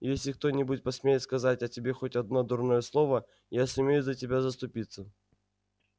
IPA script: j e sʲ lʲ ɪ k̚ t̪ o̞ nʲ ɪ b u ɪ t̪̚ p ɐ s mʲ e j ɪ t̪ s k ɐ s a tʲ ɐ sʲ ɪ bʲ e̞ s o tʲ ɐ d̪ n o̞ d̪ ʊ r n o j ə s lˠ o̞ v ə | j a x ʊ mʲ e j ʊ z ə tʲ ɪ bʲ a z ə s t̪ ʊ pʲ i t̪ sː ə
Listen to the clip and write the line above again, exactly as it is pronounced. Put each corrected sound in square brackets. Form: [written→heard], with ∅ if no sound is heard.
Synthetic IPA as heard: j e sʲ lʲ ɪ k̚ t̪ o̞ nʲ ɪ b u ɪ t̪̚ p ɐ s mʲ e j ɪ t̪ s k ɐ [s→z] a tʲ ɐ [sʲ→tʲ] ɪ bʲ e̞ [s→x] o tʲ ɐ d̪ n o̞ d̪ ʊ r n o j ə s lˠ o̞ v ə | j a [x→s] ʊ mʲ e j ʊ z ə tʲ ɪ bʲ a z ə s t̪ ʊ pʲ i t̪ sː ə

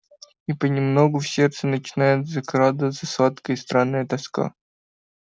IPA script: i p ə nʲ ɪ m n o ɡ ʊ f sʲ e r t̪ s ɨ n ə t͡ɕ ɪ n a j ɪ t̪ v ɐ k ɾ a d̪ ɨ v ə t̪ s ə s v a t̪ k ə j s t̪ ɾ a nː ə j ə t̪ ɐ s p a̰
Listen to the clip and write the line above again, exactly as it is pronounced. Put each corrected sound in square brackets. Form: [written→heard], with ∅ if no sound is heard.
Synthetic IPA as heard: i p ə nʲ ɪ m n o ɡ ʊ f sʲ e r t̪ s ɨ n ə t͡ɕ ɪ n a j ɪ t̪ [v→z] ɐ k ɾ a d̪ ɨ v ə t̪ s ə s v a t̪ k ə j s t̪ ɾ a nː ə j ə t̪ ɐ s [p→k] a̰

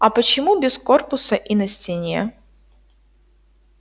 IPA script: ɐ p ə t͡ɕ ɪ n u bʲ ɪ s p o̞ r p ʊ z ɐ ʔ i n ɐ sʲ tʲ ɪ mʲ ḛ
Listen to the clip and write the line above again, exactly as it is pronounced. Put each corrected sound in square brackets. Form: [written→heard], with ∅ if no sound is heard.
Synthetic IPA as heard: ɐ p ə t͡ɕ ɪ [n→m] u bʲ ɪ s [p→k] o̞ r p ʊ [z→s] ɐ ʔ i n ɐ sʲ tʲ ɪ [mʲ→nʲ] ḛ

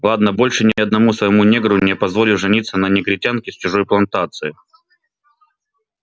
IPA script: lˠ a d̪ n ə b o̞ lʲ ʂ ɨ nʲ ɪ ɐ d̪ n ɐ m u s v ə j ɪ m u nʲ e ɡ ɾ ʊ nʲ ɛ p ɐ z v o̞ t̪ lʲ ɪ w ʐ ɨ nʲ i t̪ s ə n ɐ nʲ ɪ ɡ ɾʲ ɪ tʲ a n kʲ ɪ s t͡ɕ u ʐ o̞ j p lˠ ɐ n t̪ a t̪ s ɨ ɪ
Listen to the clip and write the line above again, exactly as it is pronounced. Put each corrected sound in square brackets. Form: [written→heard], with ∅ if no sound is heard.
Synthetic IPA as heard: lˠ a d̪ n ə b o̞ lʲ ʂ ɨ nʲ ɪ ɐ d̪ n ɐ m u s v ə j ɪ m u nʲ e ɡ ɾ ʊ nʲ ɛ p ɐ z v o̞ [t̪→∅] lʲ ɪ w ʐ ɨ nʲ i t̪ s ə n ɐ nʲ ɪ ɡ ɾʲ ɪ tʲ a n kʲ ɪ s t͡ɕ [u→ʊ] ʐ o̞ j p lˠ ɐ n t̪ a t̪ s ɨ ɪ

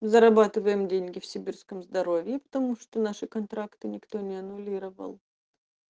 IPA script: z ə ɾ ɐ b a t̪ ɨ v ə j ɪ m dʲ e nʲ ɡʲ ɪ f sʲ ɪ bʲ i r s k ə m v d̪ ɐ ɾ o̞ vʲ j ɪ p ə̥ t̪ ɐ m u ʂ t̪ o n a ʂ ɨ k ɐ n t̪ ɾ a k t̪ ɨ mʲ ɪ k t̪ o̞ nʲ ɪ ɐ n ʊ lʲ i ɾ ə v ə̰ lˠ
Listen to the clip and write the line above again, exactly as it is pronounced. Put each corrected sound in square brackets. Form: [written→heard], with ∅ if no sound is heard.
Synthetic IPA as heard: z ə ɾ ɐ b a t̪ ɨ v ə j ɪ m dʲ e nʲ ɡʲ ɪ f sʲ ɪ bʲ i r s k ə m [v→z] d̪ ɐ ɾ o̞ vʲ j ɪ p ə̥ t̪ ɐ m u ʂ t̪ o n a ʂ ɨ k ɐ n t̪ ɾ a k t̪ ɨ [mʲ→nʲ] ɪ k t̪ o̞ nʲ ɪ ɐ n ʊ lʲ i ɾ ə v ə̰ lˠ

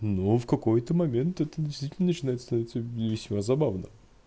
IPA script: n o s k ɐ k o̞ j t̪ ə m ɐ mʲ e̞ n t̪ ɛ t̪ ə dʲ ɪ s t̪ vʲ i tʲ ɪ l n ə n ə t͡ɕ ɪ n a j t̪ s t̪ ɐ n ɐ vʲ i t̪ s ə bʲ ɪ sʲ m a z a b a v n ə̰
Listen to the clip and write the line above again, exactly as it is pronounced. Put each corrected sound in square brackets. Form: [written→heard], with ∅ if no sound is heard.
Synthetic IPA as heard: n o [s→f] k ɐ k o̞ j t̪ ə m ɐ mʲ e̞ n t̪ ɛ t̪ ə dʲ ɪ s t̪ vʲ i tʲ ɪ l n ə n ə t͡ɕ ɪ n a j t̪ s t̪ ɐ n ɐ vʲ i t̪ s ə [bʲ→vʲ] ɪ sʲ m a z [a→ɐ] b a v n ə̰

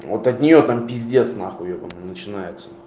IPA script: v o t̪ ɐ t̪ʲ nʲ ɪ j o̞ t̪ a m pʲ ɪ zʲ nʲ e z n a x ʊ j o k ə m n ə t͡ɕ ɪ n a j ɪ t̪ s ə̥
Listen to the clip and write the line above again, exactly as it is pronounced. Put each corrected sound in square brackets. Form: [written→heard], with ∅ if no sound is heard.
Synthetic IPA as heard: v o t̪ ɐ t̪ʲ nʲ ɪ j o̞ t̪ a m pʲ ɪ zʲ [nʲ→dʲ] e [z→s] n a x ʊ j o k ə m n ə t͡ɕ ɪ n a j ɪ t̪ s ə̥

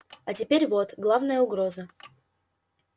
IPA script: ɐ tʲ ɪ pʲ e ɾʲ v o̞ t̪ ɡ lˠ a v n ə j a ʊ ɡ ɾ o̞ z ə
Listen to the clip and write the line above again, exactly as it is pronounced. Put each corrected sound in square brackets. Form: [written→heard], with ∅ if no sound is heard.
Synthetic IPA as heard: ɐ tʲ ɪ pʲ e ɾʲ v o̞ t̪ ɡ lˠ a v n ə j [a→ə] ʊ ɡ ɾ o̞ z ə

